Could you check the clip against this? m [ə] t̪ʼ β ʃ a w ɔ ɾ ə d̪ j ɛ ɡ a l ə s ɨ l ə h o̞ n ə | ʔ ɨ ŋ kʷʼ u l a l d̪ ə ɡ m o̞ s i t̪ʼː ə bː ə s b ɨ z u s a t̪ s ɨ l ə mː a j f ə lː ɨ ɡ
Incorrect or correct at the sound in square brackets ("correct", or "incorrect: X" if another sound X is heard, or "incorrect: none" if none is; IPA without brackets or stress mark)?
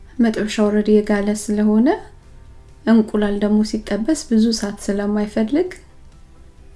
correct